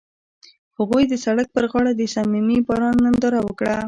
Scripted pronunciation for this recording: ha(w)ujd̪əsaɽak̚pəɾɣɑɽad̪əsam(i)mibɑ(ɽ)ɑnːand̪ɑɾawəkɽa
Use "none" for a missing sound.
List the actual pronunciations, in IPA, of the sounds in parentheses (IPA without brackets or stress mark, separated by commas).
ɣ, i, ɾ